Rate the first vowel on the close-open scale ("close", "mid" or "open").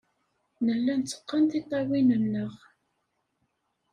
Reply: mid